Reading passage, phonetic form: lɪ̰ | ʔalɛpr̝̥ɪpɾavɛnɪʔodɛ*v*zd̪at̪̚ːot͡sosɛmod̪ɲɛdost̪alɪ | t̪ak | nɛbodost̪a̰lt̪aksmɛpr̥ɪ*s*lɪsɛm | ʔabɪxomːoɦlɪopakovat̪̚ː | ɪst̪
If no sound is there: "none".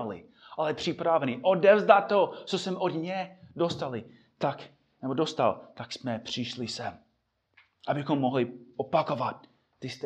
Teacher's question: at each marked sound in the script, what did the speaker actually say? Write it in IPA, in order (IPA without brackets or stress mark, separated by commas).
v, ʃ